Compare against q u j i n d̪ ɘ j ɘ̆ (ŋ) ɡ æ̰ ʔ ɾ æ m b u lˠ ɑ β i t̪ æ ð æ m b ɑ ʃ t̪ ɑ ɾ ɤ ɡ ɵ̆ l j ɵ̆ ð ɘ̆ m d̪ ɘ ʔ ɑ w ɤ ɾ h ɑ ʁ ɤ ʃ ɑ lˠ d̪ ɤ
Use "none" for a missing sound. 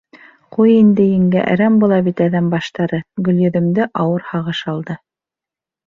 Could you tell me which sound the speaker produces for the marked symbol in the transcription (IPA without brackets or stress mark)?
ŋ